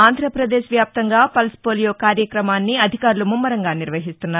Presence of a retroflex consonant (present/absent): absent